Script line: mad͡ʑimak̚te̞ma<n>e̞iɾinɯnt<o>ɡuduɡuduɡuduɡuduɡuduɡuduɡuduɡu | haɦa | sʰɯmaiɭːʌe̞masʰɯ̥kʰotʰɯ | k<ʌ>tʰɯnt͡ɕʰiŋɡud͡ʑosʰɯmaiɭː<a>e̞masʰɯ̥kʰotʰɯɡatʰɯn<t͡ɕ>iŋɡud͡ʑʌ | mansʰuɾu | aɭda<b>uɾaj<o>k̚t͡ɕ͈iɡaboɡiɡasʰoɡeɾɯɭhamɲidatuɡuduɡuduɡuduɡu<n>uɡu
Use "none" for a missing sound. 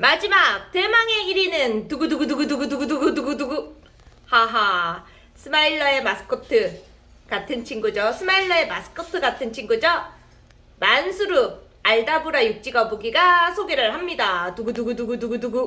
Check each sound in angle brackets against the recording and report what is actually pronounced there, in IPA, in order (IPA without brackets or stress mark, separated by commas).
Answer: ŋ, u, a, ʌ, t͡ɕʰ, b, u, d